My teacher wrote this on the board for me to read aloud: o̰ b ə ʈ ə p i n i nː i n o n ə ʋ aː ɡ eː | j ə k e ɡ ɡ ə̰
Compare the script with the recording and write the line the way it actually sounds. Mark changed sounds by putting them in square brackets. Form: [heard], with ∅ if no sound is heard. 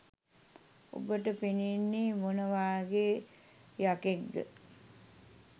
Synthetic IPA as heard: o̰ b ə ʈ ə p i n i nː i [m] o n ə ʋ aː ɡ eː | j [a] k e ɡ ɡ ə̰